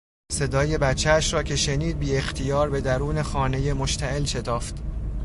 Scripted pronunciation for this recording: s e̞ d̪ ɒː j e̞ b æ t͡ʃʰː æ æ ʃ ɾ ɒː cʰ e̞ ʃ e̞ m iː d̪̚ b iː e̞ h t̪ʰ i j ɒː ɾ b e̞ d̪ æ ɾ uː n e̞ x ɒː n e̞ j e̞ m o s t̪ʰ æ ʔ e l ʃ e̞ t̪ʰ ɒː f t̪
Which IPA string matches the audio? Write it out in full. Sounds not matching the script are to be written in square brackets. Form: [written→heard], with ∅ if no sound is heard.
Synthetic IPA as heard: s e̞ d̪ ɒː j e̞ b æ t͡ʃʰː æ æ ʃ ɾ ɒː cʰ e̞ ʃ e̞ [m→n] iː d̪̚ b iː e̞ [h→x] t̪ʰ i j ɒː ɾ b e̞ d̪ æ ɾ uː n e̞ x ɒː n e̞ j e̞ m o [s→ʃ] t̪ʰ æ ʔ e l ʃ e̞ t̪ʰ ɒː f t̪